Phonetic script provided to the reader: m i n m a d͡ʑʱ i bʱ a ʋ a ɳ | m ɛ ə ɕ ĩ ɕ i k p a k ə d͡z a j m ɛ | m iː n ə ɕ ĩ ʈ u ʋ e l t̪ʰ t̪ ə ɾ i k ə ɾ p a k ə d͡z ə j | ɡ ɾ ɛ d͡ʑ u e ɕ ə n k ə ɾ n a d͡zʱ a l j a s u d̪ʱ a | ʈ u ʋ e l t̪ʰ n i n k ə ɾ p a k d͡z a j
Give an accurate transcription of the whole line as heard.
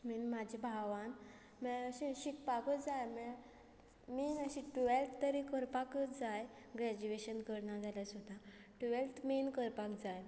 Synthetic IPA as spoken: m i n m a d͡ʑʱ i bʱ a ʋ a n | m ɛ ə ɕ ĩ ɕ i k p a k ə d͡z a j m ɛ | m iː n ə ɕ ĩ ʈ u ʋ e l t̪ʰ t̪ ə ɾ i k ə ɾ p a k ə d͡z a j | ɡ ɾ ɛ d͡ʑ u e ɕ ə n k ə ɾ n a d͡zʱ a l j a s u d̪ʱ a | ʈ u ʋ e l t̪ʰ m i n k ə ɾ p a k d͡z a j

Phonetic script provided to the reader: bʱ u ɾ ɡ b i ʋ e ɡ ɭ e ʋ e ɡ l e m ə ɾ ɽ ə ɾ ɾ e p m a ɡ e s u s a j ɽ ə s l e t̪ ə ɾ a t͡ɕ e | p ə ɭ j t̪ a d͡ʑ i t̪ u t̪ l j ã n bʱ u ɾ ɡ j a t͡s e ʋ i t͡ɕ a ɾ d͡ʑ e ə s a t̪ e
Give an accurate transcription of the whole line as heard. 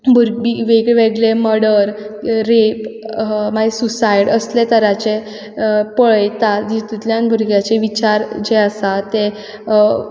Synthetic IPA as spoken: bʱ u ɾ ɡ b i ʋ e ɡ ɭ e ʋ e ɡ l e m ə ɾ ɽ ə ɾ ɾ e p m a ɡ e s u s a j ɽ ə s l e t̪ ə ɾ a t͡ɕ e | p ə ɭ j t̪ a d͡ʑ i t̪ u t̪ l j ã n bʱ u ɾ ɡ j a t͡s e ʋ i t͡ɕ a ɾ d͡ʑ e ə s a t̪ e

